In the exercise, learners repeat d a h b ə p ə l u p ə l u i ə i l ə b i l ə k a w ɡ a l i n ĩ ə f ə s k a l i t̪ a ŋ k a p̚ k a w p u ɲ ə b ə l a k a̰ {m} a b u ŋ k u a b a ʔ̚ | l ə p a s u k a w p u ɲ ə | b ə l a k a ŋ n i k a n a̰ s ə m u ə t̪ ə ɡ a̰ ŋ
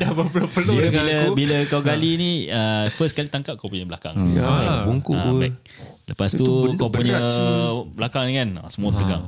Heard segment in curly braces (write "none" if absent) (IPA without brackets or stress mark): ŋ